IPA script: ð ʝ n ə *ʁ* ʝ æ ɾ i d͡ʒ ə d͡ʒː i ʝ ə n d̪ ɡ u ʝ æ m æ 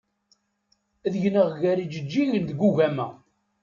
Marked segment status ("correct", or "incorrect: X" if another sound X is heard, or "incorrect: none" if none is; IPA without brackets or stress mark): correct